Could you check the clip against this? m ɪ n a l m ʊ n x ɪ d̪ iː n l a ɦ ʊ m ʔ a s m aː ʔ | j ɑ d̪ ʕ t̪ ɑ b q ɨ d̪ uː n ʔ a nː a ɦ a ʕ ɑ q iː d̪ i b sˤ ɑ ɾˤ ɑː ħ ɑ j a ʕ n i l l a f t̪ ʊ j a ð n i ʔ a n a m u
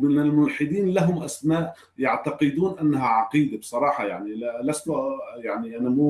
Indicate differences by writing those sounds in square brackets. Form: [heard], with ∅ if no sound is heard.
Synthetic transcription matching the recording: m ɪ n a l m ʊ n [ħ] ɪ d̪ iː n l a ɦ ʊ m ʔ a s m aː ʔ | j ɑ [∅] ʕ t̪ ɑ [∅] q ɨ d̪ uː n ʔ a nː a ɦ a ʕ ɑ q iː d̪ [a] b sˤ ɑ ɾˤ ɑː ħ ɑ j a ʕ n i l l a [s] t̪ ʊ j a [ʕ] n i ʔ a n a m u